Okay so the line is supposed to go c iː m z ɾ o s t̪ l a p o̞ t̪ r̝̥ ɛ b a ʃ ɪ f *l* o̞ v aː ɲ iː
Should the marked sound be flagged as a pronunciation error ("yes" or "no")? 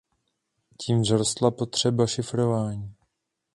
yes